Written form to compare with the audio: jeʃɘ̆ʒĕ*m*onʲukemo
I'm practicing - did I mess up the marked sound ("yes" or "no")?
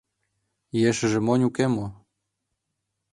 no